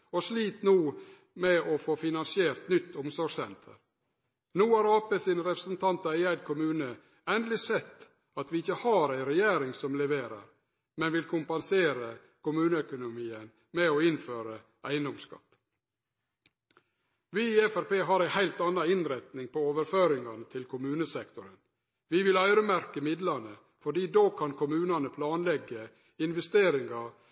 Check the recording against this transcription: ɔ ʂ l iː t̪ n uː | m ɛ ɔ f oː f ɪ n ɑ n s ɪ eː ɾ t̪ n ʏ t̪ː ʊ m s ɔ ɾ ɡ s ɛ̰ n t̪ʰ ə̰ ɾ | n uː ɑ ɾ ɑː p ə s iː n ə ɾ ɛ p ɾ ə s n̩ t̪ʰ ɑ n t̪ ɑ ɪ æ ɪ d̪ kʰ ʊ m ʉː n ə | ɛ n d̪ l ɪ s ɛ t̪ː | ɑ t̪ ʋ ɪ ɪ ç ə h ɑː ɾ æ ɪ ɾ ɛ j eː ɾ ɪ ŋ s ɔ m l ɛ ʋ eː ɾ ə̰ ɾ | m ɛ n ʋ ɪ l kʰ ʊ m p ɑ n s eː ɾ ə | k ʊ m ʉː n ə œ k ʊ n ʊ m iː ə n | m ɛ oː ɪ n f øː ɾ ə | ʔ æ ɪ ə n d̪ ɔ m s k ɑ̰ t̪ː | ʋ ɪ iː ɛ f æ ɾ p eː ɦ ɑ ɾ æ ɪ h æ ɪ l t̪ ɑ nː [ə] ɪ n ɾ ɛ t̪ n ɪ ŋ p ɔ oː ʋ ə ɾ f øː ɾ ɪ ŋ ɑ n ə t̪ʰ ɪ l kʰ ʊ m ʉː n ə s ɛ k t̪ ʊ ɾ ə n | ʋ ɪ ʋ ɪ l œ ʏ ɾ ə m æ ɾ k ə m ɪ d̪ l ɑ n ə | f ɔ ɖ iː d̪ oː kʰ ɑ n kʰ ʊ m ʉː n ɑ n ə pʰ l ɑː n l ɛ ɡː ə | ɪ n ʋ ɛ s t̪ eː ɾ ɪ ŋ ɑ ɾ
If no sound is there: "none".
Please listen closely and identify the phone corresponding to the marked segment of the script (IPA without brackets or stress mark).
ɑ